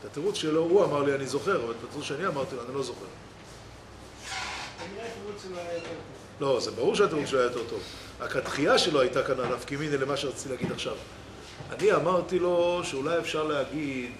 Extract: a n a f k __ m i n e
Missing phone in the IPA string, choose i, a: i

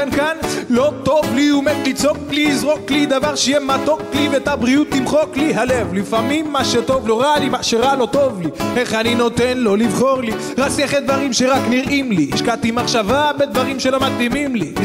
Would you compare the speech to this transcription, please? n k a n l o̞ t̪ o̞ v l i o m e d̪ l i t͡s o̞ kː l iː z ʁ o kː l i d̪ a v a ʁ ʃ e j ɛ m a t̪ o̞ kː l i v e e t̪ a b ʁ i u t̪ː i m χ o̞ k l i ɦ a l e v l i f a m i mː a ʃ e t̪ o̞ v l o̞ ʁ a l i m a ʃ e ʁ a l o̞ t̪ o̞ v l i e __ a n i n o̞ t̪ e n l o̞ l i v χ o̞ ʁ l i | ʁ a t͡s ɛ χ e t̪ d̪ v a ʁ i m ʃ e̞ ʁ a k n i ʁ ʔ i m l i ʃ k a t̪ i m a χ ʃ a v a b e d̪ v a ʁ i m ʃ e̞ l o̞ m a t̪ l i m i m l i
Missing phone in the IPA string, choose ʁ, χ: χ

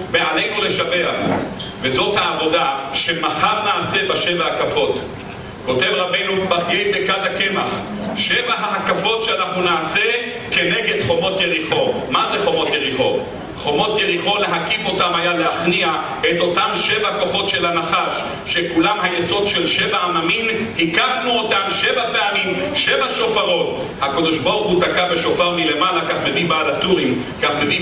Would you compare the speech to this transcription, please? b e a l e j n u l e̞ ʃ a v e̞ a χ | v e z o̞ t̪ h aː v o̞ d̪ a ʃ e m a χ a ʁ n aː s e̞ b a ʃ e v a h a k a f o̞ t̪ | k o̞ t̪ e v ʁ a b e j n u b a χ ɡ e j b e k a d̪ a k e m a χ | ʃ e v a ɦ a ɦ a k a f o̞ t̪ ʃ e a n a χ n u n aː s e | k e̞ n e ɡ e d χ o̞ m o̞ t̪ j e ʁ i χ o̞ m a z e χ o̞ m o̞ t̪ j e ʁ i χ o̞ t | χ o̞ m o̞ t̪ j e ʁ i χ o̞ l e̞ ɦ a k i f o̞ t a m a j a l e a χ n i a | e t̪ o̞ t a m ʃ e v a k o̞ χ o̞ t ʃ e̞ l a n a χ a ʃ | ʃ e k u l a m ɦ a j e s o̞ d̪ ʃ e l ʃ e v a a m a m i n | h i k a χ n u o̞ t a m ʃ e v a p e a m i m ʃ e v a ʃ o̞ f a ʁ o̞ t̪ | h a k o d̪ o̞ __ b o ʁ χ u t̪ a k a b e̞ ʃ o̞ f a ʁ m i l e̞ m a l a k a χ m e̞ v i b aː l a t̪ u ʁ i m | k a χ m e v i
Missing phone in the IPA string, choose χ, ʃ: ʃ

